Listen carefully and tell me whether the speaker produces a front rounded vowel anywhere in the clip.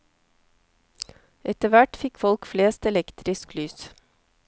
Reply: yes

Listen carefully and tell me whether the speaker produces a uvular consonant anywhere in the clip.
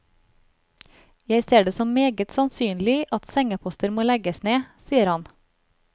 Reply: no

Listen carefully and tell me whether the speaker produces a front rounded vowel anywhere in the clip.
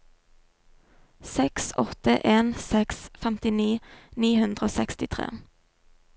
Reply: no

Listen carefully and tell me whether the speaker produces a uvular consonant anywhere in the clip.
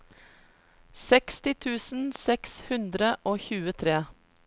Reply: no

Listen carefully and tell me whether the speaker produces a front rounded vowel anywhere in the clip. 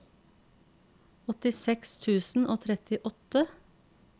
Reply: no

